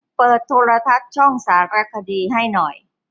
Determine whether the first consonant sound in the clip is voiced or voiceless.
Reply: voiceless